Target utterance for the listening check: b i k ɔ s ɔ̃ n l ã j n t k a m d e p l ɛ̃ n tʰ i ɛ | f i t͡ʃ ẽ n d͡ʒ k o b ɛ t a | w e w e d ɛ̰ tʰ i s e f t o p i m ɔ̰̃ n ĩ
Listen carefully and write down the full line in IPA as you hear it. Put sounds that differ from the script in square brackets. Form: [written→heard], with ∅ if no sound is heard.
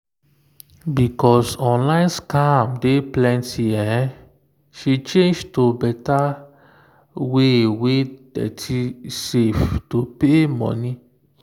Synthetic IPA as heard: b i k ɔ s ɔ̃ n l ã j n [t→s] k a m d e p l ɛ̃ n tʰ i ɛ | [f→ʃ] i t͡ʃ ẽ n d͡ʒ [k→t] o b ɛ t a | w e w e d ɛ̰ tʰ i s e f t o p [i→e] m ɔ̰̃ n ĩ